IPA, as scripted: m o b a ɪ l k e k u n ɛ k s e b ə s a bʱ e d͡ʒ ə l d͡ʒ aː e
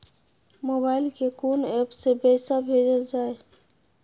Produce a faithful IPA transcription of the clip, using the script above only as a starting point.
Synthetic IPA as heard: m o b a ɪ l k e k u n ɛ p s e b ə s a bʱ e d͡ʒ ə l d͡ʒ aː e